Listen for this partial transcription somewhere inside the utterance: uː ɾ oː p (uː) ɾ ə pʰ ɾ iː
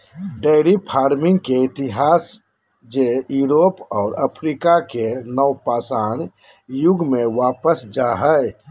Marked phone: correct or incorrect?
incorrect: ɔː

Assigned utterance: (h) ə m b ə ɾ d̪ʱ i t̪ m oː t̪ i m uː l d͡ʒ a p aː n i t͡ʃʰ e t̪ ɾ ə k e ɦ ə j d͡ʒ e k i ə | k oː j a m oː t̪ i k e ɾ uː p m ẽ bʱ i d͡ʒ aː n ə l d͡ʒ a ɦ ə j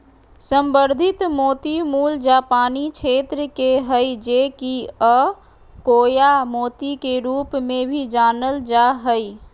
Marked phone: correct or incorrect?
incorrect: s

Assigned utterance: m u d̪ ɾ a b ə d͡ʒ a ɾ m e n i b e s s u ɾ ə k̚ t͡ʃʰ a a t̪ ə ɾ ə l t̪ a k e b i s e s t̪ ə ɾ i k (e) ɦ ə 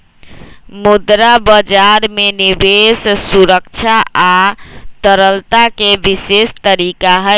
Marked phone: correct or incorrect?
incorrect: a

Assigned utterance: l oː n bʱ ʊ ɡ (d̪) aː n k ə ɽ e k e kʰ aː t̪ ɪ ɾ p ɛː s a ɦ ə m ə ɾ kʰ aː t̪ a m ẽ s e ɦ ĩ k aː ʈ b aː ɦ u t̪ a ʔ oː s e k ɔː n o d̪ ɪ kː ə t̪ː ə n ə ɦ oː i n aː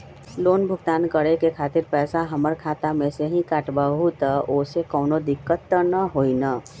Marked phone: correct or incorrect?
incorrect: t̪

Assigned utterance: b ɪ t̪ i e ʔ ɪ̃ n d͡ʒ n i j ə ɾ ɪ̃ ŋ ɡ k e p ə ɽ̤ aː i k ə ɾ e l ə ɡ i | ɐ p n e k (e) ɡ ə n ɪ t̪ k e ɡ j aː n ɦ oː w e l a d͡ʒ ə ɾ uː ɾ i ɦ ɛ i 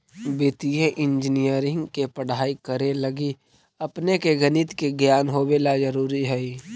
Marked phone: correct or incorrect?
correct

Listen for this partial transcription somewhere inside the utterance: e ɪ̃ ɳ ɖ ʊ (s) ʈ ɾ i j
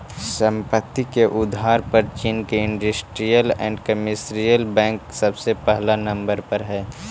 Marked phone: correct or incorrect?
correct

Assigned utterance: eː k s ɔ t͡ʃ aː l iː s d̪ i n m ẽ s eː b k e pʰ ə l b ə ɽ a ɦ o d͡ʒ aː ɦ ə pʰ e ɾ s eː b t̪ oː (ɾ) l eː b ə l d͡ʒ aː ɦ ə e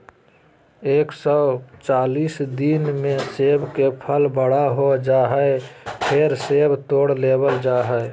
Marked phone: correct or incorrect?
incorrect: ɽ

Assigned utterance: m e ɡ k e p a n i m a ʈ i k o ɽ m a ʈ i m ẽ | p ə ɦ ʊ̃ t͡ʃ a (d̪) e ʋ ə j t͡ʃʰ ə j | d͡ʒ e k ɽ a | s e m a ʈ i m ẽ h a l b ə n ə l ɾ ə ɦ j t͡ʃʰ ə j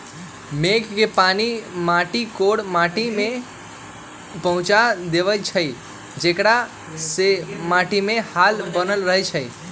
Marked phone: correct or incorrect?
correct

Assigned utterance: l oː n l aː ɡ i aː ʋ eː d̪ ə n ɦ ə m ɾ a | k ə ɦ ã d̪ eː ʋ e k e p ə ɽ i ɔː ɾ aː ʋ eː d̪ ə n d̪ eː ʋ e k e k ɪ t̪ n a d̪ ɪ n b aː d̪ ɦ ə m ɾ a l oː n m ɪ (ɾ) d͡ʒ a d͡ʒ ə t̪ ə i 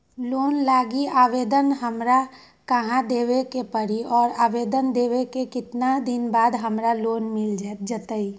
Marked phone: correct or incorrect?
incorrect: l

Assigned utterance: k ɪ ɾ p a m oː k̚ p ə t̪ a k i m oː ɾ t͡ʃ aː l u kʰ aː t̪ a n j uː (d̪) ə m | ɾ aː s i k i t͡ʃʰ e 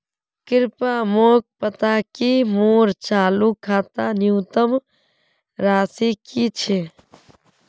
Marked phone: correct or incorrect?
incorrect: t̪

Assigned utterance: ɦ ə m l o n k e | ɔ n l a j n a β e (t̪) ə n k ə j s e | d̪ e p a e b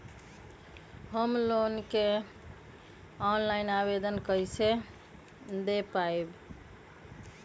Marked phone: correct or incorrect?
incorrect: d̪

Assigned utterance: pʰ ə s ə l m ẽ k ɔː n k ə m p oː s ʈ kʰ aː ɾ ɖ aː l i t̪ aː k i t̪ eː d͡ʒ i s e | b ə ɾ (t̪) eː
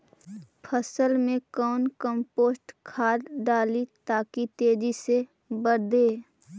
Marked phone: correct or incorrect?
incorrect: d̪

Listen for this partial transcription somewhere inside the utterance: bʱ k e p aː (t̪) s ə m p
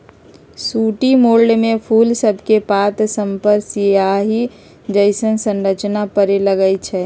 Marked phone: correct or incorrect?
correct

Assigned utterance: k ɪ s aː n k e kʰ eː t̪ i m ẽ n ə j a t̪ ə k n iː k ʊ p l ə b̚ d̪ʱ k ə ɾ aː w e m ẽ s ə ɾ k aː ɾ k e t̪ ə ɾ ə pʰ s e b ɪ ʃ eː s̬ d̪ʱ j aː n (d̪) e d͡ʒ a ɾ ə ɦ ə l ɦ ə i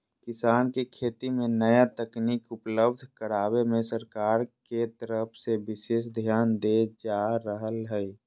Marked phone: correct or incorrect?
correct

